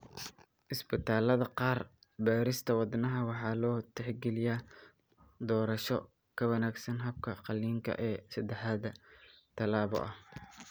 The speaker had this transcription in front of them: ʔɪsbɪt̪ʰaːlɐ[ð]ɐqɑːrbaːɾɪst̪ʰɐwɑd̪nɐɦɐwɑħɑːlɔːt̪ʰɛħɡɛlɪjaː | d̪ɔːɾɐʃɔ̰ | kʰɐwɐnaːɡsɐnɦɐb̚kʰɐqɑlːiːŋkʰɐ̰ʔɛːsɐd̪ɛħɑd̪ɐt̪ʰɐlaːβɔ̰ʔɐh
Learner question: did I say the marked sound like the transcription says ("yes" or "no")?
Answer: yes